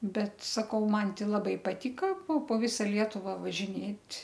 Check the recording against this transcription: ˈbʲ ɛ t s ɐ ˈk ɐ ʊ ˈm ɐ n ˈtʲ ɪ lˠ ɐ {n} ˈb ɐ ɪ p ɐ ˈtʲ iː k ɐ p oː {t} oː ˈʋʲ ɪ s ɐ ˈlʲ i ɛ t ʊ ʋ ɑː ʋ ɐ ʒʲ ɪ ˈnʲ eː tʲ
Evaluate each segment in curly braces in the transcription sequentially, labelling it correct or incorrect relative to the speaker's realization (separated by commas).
incorrect, incorrect